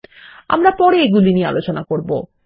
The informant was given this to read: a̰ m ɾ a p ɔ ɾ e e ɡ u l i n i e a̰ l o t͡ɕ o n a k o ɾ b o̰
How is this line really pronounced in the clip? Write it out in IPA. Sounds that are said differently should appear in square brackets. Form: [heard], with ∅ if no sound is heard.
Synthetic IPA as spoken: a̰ m ɾ a p ɔ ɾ e e ɡ u l i n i e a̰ l o t͡ɕ o n a k o ɾ b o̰